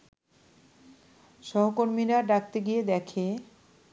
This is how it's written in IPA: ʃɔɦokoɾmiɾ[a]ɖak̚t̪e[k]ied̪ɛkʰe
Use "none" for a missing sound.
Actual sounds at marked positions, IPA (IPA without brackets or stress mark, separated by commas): a, ɡ